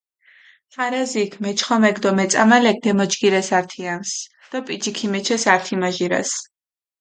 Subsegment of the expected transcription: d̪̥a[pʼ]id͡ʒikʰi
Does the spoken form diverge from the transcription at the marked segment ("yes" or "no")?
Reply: no